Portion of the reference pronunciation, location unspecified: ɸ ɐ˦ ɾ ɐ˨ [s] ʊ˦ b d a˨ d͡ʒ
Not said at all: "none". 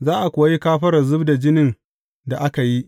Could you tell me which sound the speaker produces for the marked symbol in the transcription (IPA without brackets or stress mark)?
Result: z